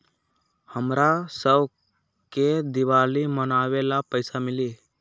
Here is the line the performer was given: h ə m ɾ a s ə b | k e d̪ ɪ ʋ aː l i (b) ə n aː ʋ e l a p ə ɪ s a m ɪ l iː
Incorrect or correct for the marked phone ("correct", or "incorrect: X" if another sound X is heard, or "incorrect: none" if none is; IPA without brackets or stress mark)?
incorrect: m